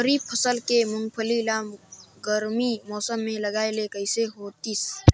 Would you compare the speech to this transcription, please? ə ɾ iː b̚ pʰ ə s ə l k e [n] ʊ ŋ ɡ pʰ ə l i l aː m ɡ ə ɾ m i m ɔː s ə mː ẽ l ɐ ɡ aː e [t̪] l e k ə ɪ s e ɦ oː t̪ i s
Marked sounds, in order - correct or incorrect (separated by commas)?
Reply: incorrect, incorrect